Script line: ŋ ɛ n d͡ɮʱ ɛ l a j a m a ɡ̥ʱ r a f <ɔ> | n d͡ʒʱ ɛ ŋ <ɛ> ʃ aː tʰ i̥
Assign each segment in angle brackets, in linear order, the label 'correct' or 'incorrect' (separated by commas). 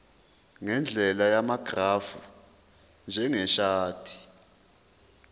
incorrect, correct